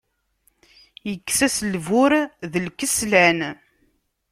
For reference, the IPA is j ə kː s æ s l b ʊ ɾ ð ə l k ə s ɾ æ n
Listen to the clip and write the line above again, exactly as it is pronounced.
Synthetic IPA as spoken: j ə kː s æ s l v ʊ ɾ ð ə l k ə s l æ n